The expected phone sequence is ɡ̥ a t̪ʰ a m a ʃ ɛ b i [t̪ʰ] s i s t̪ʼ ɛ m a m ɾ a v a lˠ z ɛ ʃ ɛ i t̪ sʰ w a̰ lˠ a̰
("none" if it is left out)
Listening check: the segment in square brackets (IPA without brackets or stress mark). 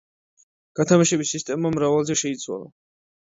none